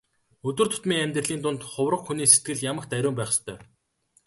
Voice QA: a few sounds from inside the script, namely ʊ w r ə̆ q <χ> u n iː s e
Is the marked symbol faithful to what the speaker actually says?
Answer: no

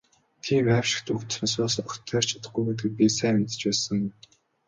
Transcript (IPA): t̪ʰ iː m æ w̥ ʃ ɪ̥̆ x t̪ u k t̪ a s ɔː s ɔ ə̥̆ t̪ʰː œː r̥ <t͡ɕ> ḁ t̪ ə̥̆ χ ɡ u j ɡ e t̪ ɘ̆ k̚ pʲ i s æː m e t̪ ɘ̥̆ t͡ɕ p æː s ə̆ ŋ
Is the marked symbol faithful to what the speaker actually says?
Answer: no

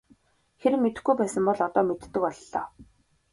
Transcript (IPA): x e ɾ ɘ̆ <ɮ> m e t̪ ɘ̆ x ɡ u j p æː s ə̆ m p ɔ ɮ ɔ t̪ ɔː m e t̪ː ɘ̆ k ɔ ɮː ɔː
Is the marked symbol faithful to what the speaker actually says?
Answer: no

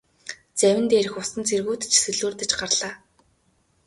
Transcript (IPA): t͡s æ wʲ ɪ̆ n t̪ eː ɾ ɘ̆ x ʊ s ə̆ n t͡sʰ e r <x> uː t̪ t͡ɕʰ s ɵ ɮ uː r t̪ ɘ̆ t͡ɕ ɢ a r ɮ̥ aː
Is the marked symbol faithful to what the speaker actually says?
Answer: no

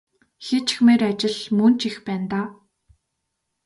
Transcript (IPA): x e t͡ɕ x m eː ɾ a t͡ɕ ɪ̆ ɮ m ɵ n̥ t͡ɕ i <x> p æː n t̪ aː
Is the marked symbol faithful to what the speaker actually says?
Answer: yes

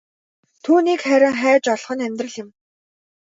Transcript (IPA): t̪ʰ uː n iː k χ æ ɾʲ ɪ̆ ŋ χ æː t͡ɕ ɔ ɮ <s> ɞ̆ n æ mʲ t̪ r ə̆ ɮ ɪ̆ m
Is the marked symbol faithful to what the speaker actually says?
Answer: no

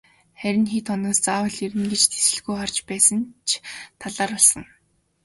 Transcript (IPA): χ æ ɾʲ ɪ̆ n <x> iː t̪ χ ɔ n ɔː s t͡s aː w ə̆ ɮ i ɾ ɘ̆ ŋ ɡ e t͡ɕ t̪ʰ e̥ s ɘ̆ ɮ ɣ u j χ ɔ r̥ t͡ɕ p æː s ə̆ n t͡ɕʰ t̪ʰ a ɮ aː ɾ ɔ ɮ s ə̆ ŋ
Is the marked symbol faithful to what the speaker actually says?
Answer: yes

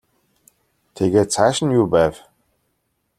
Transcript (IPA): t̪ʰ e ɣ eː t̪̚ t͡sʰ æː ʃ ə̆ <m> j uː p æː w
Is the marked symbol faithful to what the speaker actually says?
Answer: no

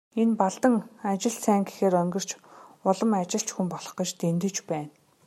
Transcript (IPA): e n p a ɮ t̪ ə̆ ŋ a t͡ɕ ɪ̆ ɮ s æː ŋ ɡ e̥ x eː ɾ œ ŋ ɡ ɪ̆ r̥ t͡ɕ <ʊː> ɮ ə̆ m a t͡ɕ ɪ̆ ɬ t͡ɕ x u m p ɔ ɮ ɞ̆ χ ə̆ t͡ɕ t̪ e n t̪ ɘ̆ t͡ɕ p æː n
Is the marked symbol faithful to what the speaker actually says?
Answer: no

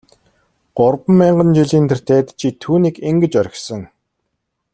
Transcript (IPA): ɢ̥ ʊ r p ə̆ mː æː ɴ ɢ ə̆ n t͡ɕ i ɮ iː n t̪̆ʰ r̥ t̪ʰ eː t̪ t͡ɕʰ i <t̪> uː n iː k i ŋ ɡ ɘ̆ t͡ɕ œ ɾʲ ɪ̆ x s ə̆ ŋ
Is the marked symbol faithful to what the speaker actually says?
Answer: no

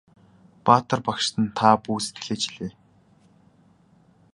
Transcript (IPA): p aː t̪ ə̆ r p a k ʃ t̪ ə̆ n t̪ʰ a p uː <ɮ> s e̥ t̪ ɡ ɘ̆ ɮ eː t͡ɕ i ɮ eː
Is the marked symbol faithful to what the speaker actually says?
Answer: no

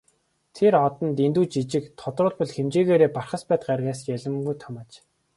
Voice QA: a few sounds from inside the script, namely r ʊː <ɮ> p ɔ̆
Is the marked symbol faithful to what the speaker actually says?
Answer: yes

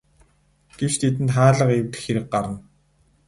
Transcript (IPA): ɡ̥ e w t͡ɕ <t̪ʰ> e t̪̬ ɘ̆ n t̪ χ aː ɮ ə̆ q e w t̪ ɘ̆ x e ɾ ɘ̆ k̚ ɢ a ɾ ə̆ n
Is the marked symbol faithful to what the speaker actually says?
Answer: yes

